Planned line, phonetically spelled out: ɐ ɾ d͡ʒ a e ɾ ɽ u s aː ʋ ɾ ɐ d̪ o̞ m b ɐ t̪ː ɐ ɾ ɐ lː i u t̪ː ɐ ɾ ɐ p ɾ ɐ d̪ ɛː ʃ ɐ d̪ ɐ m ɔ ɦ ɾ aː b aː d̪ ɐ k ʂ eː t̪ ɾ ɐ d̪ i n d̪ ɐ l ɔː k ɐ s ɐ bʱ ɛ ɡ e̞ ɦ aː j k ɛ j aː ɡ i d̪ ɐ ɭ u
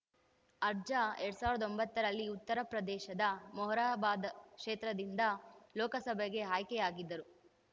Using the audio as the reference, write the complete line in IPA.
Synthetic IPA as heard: ɐ ɾ d͡ʒ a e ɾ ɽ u s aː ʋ ɾ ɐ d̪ o̞ m b ɐ t̪ː ɐ ɾ ɐ lː i u t̪ː ɐ ɾ ɐ p ɾ ɐ d̪ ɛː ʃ ɐ d̪ ɐ m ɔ ɦ ɾ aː b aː d̪ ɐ k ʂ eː t̪ ɾ ɐ d̪ i n d̪ ɐ l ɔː k ɐ s ɐ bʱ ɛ ɡ e̞ ɦ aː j k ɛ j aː ɡ i d̪ː ɐ ɾ u